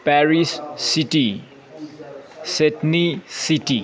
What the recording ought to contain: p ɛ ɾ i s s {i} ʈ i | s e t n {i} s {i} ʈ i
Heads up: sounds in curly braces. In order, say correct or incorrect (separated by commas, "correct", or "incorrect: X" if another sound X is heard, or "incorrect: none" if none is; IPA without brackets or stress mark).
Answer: correct, correct, correct